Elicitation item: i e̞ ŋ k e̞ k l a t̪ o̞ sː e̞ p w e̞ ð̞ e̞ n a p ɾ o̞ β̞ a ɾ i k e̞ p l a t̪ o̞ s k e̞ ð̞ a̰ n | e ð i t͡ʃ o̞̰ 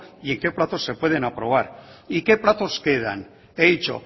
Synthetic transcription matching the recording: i e̞ ŋ k e̞ p l a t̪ o̞ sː e̞ p w e̞ ð̞ e̞ n a p ɾ o̞ β̞ a ɾ i k e̞ p l a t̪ o̞ s k e̞ ð̞ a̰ n | e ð i t͡ʃ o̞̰